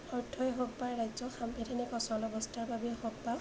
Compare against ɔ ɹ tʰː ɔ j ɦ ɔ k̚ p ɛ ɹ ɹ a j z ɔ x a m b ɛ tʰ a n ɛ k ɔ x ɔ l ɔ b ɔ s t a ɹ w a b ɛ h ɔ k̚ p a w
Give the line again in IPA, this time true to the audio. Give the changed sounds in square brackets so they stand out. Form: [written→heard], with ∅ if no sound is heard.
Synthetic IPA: ɔ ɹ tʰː ɔ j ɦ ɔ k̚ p [ɛ→a] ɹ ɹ a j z ɔ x a m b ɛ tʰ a n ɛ k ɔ [x→s] ɔ l ɔ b ɔ s t a ɹ [w→b] a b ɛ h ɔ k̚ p a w